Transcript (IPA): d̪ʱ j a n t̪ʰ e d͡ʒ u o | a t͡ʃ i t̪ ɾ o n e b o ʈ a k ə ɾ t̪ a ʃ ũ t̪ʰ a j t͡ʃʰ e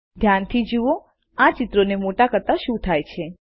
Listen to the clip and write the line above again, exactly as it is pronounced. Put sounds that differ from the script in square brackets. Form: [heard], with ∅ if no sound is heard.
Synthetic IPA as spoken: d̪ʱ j a n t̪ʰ [i] d͡ʒ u o | a t͡ʃ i t̪ ɾ o n e [m] o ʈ a k ə ɾ t̪ a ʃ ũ t̪ʰ a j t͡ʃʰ e